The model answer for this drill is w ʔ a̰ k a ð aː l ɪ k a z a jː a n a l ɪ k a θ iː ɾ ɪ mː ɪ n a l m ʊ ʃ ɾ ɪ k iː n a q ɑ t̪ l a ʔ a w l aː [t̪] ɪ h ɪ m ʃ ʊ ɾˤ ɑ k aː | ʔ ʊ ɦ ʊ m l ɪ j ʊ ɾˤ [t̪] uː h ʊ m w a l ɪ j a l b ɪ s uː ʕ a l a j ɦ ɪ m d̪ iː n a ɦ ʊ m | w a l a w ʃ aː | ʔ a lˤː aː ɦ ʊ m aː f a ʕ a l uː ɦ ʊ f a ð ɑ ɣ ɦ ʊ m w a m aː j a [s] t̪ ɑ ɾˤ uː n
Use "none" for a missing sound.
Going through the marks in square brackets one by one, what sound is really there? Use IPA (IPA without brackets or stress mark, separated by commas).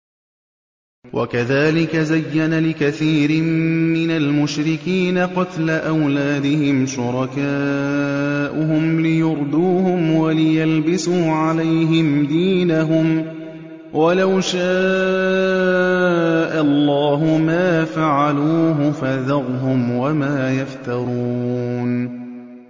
d̪, d̪, f